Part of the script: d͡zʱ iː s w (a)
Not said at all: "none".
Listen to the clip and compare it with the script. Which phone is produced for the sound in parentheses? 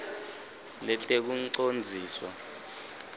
a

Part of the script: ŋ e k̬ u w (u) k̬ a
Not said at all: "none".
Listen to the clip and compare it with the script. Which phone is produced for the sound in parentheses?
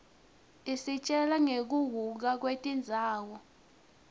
u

